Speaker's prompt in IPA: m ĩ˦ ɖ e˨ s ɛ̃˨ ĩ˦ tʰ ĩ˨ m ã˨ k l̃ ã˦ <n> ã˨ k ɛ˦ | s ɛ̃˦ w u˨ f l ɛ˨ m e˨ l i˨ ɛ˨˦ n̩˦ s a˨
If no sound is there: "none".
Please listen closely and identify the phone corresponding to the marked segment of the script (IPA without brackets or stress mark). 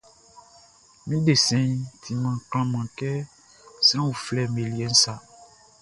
m